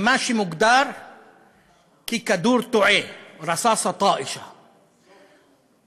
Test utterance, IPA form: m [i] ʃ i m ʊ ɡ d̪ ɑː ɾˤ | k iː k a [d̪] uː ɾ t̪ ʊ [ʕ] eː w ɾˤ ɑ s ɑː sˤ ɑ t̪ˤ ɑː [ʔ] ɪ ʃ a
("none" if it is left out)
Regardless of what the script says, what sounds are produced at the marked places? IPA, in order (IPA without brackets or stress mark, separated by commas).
a, d̪, ʕ, ʔ